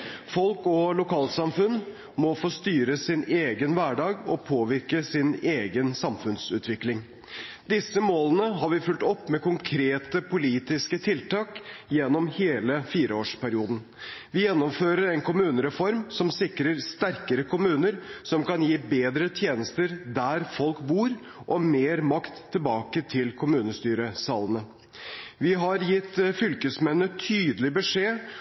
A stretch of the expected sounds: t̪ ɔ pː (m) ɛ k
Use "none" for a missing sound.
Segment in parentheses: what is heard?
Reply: m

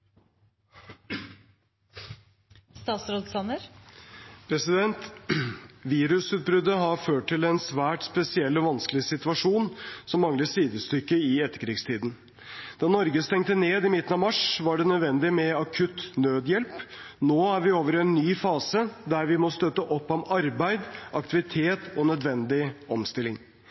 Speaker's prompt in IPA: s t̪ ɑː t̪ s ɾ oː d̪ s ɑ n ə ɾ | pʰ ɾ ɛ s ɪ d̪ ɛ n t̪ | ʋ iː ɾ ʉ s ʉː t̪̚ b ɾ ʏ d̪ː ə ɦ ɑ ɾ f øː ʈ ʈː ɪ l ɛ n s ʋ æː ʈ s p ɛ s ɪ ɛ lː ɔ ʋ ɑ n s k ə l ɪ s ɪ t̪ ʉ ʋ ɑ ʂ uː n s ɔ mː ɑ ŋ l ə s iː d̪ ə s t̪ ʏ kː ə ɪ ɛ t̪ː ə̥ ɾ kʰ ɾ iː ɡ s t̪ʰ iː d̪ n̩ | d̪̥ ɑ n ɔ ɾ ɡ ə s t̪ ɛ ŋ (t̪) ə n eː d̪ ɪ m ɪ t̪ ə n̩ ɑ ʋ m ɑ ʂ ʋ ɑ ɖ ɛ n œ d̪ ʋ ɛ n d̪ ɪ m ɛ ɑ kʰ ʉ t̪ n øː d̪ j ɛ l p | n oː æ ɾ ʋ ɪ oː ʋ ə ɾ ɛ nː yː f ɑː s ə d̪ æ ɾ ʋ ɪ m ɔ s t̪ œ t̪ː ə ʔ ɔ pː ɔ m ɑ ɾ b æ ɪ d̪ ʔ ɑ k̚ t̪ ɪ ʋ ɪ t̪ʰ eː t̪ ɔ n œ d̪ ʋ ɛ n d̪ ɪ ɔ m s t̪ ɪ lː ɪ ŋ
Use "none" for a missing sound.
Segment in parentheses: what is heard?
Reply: t̪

